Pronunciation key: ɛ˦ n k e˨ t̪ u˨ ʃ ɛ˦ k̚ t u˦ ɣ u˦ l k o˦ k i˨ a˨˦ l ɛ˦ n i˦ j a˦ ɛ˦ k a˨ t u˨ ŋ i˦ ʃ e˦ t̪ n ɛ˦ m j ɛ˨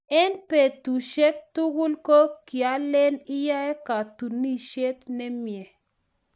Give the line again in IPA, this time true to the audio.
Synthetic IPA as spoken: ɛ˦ n p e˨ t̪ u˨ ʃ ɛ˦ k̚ t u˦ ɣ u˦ l k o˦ k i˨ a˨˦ l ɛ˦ n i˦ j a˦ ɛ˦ k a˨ t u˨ n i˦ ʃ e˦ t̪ n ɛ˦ m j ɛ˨